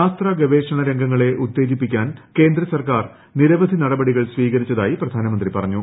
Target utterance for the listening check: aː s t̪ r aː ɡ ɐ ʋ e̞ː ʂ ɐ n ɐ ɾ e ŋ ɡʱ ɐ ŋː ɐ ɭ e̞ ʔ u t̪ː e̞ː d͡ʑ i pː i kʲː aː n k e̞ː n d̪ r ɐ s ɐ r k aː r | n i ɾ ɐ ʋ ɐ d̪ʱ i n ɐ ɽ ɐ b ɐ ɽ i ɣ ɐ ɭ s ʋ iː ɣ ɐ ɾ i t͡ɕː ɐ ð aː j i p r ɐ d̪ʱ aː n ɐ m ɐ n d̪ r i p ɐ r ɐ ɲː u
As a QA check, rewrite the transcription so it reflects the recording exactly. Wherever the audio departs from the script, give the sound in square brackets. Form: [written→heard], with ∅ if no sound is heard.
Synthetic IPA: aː s t̪ r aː ɡ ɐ ʋ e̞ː ʂ ɐ [n→ɳ] ɐ ɾ e ŋ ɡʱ ɐ ŋː ɐ ɭ e̞ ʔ u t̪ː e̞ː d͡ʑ i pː i kʲː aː n k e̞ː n d̪ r ɐ s ɐ r k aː r | n i ɾ ɐ ʋ ɐ d̪ʱ i n ɐ ɽ ɐ b ɐ ɽ i ɣ ɐ ɭ s ʋ iː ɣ ɐ ɾ i t͡ɕː ɐ ð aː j i p r ɐ d̪ʱ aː n ɐ m ɐ n d̪ r i p ɐ r ɐ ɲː u

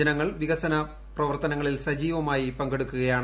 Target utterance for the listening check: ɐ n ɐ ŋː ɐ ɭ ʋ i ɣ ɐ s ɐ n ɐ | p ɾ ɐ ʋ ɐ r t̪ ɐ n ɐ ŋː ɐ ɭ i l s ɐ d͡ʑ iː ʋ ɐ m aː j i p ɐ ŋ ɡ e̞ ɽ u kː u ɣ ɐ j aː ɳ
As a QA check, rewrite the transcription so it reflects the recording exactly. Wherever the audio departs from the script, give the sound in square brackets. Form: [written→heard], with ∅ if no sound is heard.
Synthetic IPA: ɐ n ɐ ŋː ɐ ɭ ʋ i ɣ ɐ s ɐ n ɐ | p [ɾ→r] ɐ ʋ ɐ r t̪ ɐ n ɐ ŋː ɐ ɭ i l s ɐ d͡ʑ iː ʋ ɐ m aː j i p ɐ ŋ ɡ e̞ ɽ u kː u ɣ ɐ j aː ɳ

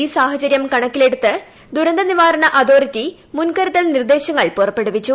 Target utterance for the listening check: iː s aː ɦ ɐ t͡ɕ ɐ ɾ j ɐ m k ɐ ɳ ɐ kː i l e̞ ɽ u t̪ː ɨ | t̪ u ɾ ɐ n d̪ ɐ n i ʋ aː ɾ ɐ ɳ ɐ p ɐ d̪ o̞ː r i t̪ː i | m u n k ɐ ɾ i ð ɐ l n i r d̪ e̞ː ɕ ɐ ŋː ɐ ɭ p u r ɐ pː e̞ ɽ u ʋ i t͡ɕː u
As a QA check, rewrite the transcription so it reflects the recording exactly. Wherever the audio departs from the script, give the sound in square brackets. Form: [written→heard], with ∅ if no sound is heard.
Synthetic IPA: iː s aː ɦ ɐ t͡ɕ ɐ ɾ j ɐ m k ɐ ɳ ɐ kː i l e̞ ɽ u t̪ː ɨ | [t̪→d̪] u ɾ ɐ n d̪ ɐ n i ʋ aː ɾ ɐ ɳ ɐ [p→ʔ] ɐ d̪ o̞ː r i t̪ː i | m u n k ɐ ɾ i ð ɐ l n i r d̪ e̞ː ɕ ɐ ŋː ɐ ɭ p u r ɐ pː e̞ ɽ u ʋ i t͡ɕː u

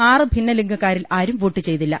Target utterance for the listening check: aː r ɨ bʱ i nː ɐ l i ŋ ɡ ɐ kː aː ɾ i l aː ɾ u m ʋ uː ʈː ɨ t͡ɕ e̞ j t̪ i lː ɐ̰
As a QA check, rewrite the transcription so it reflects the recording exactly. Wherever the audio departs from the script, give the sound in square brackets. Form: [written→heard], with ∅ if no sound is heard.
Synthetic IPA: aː r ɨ bʱ i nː ɐ l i ŋ ɡ ɐ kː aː ɾ i l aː ɾ u m ʋ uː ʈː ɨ t͡ɕ e̞ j t̪ i lː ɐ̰

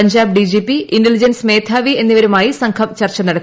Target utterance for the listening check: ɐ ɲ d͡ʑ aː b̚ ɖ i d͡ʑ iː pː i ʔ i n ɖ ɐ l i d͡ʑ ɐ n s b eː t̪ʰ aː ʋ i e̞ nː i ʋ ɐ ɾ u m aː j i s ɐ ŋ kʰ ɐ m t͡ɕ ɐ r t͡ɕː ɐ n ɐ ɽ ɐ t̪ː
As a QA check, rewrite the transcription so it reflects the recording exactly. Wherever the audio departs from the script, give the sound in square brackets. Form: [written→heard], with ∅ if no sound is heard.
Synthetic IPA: ɐ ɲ d͡ʑ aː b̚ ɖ i d͡ʑ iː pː i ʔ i n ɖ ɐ l i d͡ʑ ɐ n s [b→m] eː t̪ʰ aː ʋ i e̞ nː i ʋ ɐ ɾ u m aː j i s ɐ ŋ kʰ ɐ m t͡ɕ ɐ r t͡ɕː ɐ n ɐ ɽ ɐ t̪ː

